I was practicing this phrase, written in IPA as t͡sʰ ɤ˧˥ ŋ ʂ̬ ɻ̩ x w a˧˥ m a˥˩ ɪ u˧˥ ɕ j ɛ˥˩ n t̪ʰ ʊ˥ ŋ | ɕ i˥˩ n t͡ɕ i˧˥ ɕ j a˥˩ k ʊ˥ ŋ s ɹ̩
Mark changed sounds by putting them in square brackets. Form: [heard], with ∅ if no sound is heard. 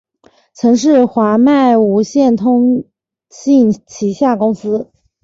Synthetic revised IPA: t͡sʰ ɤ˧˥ ŋ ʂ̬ ɻ̩ x w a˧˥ m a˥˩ ɪ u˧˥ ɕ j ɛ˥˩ n t̪ʰ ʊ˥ ŋ | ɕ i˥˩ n [t͡ɕʰ] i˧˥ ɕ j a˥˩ k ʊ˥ ŋ s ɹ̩